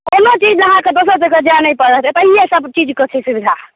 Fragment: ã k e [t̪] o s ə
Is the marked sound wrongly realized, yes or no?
yes